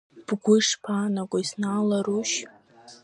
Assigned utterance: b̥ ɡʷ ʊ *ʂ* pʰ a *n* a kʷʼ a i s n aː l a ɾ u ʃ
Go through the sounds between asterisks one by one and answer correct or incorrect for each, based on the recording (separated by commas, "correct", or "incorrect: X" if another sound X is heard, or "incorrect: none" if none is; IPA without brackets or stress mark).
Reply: correct, correct